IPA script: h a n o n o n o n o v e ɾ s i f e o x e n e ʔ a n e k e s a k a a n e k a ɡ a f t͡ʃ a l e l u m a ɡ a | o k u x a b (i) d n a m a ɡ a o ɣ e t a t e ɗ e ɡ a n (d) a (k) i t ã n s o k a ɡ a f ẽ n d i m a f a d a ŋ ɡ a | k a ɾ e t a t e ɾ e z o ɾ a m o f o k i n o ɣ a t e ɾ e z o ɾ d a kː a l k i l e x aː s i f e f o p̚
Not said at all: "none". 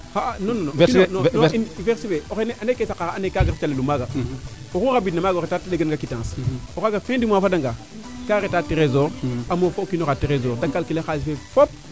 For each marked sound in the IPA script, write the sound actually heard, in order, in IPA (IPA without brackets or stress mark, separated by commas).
i, ɡ, k